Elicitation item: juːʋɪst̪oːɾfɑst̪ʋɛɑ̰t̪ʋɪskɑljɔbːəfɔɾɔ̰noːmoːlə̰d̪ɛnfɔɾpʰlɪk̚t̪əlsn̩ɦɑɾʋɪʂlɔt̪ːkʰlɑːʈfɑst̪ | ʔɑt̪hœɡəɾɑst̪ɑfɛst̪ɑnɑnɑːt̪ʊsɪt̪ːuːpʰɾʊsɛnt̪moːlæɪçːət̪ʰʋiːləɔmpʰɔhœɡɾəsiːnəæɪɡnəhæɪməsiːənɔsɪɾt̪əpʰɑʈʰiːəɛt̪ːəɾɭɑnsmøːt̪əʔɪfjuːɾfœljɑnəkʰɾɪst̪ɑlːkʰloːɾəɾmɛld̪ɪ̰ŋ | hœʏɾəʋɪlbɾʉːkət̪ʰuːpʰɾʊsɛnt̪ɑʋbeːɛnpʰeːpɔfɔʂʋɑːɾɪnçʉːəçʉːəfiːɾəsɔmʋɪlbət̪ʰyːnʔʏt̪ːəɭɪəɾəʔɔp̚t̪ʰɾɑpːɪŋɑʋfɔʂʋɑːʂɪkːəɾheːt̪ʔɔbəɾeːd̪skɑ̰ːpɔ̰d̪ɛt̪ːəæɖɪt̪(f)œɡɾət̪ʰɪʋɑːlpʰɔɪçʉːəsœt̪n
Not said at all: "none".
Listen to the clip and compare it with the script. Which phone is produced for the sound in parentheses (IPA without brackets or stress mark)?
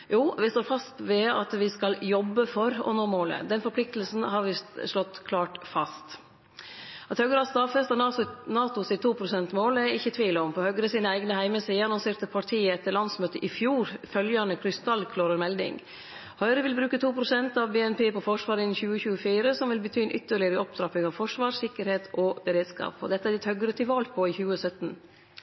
h